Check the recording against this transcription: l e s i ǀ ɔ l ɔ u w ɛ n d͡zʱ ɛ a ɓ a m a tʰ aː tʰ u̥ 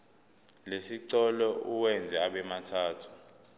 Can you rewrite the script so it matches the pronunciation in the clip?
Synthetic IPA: l e s i ǀ ɔ l ɔ u w ɛ n d͡zʱ ɛ a ɓ ɛ m a tʰ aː tʰ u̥